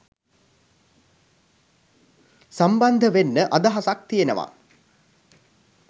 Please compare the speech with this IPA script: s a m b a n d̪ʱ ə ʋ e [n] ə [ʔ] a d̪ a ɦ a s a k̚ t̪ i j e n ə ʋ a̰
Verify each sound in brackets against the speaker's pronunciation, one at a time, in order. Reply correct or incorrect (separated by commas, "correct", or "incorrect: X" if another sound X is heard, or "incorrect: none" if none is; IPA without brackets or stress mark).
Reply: incorrect: nː, correct